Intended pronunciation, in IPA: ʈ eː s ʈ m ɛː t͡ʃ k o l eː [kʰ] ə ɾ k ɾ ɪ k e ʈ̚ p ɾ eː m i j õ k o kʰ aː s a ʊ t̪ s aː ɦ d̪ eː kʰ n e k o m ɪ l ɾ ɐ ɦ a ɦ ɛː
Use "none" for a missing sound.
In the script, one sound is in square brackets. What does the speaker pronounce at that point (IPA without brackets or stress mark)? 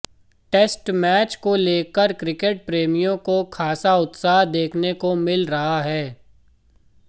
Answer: k